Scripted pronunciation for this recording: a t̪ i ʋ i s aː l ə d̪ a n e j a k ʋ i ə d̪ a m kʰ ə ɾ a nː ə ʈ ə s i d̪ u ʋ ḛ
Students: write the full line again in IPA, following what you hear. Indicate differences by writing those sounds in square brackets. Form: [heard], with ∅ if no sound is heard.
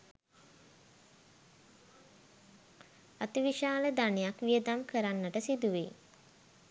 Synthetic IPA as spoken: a t̪ i ʋ i [ʃ] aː l ə d̪ a n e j a k ʋ i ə d̪ a m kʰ ə ɾ a nː ə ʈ ə s i d̪ u ʋ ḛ